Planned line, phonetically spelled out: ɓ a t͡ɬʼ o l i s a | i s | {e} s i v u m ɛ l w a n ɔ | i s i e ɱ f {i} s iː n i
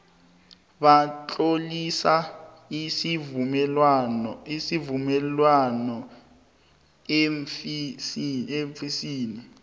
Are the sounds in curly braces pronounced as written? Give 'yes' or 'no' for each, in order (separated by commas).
no, yes